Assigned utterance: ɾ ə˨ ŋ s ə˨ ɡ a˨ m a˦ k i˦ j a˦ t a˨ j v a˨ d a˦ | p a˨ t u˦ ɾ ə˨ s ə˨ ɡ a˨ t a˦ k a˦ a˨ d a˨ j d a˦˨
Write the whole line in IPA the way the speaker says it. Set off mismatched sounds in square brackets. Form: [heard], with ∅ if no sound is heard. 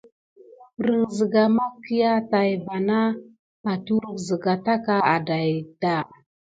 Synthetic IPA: ɾ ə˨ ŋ [z] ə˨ ɡ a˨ m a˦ k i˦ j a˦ t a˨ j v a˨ [n] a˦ | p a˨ t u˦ ɾ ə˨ [z] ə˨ ɡ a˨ t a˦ k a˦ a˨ d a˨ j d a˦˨